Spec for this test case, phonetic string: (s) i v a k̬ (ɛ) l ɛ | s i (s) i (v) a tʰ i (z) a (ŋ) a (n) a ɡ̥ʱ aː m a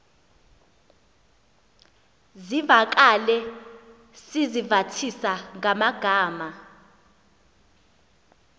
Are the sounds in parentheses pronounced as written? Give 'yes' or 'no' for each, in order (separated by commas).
no, no, no, yes, no, yes, no